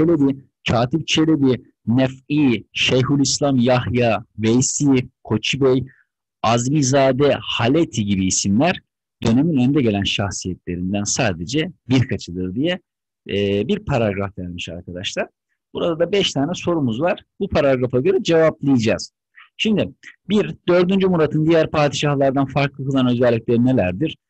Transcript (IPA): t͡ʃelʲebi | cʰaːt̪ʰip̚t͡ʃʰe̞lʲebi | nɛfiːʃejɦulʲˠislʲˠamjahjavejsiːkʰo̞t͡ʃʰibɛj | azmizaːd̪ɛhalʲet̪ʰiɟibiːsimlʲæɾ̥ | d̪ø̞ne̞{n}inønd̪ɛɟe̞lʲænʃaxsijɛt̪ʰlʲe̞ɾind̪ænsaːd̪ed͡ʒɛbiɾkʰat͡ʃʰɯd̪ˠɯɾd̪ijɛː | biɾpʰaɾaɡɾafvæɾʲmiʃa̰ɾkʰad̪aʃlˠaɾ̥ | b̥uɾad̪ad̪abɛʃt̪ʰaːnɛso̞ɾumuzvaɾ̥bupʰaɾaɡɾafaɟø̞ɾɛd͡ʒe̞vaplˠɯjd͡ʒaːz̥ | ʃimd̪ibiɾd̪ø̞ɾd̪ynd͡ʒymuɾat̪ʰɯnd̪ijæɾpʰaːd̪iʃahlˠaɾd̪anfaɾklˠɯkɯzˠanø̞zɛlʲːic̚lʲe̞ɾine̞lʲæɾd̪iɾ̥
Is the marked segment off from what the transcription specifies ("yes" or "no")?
yes